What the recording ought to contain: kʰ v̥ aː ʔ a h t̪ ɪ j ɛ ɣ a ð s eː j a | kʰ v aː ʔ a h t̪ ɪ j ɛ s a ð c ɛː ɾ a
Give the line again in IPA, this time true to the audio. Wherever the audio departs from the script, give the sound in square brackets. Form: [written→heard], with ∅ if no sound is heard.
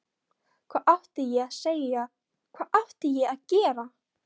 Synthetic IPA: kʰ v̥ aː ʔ a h t̪ ɪ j ɛ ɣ a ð s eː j a | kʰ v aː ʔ a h t̪ ɪ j ɛ [s→∅] a ð c ɛː ɾ a